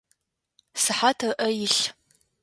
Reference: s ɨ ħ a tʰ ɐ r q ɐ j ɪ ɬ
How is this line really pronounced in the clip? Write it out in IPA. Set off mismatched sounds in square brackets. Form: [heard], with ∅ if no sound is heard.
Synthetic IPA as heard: s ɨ ħ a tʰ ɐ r [ʔ] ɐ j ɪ ɬ